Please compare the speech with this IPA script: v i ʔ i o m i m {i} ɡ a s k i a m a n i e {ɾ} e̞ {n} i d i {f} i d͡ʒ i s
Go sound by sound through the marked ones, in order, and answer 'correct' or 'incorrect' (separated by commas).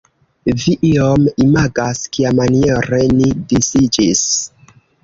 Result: incorrect, correct, correct, incorrect